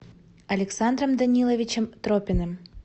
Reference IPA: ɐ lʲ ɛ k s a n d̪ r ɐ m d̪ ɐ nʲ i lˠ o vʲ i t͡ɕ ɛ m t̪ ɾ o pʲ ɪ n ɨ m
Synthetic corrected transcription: ɐ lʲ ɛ k s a n d̪ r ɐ m d̪ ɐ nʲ i lˠ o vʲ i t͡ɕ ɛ m t̪ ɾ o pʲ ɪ n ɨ m